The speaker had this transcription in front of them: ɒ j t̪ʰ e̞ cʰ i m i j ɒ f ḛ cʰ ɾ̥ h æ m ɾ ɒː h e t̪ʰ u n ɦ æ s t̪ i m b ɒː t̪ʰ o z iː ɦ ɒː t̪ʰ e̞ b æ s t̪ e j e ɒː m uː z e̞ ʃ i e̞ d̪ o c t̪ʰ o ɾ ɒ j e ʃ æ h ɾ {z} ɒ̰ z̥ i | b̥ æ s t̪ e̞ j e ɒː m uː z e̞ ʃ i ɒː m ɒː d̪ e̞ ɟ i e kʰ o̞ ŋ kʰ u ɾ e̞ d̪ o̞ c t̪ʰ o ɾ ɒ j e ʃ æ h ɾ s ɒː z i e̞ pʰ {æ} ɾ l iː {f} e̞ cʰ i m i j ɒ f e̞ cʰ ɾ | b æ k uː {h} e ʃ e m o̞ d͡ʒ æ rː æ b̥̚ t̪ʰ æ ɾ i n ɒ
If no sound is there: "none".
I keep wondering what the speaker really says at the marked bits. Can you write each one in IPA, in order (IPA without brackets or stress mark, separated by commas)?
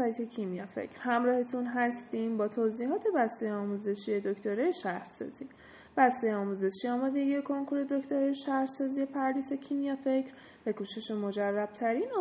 s, æ, s, ʃ